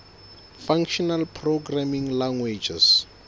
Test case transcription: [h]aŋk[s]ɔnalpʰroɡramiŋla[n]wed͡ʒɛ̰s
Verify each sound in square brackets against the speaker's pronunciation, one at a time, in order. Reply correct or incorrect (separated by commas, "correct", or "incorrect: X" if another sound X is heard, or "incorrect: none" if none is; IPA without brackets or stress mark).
incorrect: f, incorrect: ʃ, incorrect: ŋ